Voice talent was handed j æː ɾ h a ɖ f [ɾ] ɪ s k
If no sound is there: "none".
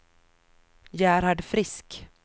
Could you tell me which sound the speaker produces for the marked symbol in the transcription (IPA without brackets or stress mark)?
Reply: ɾ